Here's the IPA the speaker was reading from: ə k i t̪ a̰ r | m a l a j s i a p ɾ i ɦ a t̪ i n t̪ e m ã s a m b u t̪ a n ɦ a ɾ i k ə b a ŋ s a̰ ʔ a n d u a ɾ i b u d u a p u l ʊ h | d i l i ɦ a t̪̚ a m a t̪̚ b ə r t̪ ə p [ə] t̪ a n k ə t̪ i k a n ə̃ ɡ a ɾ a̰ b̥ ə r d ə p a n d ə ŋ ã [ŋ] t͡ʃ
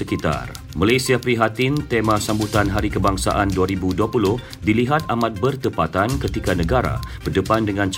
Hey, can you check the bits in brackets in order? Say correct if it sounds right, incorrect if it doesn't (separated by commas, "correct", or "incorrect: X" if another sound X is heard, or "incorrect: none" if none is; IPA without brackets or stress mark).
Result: incorrect: a, incorrect: n